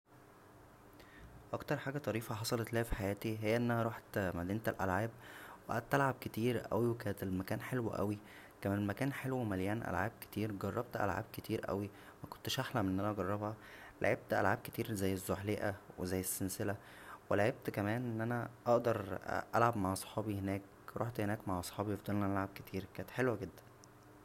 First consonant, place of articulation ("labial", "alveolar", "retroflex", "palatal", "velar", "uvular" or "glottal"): glottal